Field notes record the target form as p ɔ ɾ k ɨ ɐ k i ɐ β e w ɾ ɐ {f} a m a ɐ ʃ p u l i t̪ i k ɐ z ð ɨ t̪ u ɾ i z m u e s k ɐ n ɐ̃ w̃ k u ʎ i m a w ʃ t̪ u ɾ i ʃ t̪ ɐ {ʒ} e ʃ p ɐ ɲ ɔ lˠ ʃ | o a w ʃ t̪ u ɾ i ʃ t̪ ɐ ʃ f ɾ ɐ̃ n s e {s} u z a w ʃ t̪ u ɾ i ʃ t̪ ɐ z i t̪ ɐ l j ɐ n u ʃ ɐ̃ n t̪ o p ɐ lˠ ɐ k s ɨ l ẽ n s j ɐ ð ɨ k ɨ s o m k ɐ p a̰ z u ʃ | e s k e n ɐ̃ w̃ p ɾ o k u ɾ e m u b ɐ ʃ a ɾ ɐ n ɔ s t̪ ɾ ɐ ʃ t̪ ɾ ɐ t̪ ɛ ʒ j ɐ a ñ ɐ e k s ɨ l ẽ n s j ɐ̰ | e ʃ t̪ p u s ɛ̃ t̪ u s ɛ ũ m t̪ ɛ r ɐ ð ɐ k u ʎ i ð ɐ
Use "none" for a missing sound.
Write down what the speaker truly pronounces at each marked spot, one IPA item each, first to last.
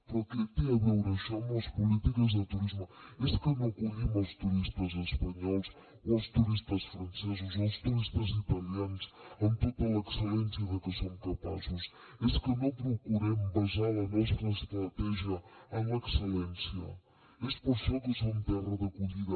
ʃ, z, z

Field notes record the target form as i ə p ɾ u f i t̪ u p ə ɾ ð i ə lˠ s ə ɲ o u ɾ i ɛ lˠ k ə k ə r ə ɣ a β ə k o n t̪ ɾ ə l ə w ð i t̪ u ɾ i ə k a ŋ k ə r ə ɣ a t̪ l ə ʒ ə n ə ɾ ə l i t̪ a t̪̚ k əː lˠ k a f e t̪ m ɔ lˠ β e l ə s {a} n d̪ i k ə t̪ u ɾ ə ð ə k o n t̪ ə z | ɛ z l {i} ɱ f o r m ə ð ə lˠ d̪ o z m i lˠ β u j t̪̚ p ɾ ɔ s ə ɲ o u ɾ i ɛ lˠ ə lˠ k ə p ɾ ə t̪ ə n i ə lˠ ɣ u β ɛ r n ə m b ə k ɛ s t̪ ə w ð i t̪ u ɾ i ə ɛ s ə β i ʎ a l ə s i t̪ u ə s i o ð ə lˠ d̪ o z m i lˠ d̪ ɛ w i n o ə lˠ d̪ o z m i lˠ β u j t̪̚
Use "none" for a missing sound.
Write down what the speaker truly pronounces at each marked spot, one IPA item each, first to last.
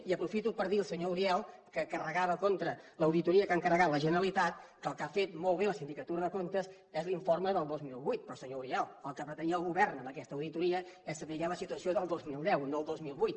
i, i

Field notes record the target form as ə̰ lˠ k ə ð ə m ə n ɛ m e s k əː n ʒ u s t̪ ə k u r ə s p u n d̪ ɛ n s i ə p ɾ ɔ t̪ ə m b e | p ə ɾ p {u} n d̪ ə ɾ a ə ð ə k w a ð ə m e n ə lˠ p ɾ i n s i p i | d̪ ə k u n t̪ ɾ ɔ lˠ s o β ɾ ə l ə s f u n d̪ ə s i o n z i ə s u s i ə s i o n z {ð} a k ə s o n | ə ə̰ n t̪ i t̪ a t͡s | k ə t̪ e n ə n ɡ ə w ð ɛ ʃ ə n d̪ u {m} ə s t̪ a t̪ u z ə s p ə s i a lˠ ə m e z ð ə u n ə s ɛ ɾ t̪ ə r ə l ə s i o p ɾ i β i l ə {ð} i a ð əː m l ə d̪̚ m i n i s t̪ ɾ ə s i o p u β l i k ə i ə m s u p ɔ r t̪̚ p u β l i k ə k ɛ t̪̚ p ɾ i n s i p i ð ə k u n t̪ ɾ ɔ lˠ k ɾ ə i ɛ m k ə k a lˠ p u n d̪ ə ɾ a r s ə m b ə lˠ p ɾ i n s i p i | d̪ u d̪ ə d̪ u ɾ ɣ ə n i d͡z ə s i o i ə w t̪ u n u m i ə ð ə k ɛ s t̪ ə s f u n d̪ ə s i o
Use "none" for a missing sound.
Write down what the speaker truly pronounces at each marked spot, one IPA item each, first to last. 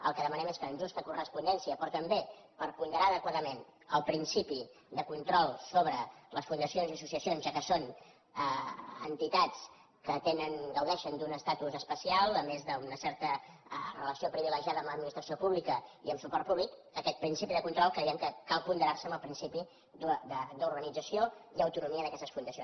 u, ʒ, n, ʒ

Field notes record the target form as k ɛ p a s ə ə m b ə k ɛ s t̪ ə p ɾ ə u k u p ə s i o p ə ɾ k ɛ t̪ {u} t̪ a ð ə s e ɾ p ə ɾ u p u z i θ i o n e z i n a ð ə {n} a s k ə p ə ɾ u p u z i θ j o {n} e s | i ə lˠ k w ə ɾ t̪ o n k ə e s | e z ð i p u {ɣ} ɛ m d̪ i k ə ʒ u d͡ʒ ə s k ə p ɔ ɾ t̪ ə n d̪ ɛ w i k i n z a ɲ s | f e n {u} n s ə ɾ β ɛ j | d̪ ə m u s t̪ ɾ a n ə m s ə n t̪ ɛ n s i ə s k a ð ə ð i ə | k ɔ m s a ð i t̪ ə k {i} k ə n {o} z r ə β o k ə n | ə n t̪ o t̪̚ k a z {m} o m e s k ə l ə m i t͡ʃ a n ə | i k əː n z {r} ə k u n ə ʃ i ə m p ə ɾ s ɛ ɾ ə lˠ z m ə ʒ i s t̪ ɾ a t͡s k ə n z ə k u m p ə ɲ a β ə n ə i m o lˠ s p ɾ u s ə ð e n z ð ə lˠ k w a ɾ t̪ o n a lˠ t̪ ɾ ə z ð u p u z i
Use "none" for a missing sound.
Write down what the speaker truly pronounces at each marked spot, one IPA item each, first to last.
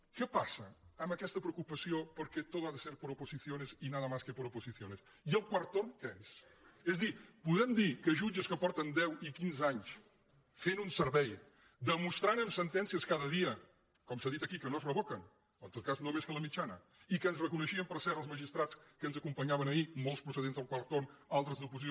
o, m, n, ð, u, i, o, n, r

